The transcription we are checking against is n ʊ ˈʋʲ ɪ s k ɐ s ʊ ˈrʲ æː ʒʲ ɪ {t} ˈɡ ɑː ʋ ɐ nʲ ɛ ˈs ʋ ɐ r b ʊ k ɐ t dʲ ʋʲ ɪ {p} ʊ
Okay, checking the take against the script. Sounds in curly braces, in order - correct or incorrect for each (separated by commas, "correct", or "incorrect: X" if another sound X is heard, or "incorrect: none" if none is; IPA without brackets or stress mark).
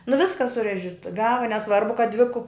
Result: correct, incorrect: k